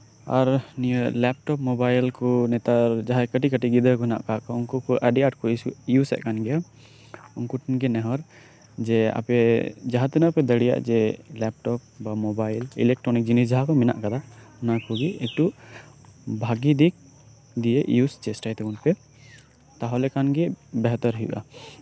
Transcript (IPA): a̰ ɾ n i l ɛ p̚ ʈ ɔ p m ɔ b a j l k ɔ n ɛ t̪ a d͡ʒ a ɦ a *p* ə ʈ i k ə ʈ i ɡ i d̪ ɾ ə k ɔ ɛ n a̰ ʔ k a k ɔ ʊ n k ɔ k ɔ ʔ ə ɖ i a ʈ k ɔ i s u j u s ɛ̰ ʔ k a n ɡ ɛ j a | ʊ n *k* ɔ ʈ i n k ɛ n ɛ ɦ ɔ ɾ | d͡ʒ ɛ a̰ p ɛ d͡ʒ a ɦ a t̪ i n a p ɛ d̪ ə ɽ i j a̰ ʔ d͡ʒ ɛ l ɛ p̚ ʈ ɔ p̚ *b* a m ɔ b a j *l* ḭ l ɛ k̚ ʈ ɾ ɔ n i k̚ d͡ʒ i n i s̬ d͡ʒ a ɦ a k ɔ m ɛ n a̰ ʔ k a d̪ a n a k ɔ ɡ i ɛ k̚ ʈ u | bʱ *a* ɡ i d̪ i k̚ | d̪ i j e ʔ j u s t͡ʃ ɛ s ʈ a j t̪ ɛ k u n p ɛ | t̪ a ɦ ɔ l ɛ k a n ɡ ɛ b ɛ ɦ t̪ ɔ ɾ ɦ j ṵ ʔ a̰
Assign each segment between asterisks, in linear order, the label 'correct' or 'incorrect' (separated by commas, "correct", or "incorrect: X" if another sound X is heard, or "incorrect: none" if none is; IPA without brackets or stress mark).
incorrect: k, correct, correct, correct, correct